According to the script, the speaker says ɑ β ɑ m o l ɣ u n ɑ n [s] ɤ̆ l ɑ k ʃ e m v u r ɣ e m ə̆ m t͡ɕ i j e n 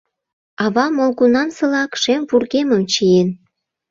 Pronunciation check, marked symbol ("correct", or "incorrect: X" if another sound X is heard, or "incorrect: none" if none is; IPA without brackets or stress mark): correct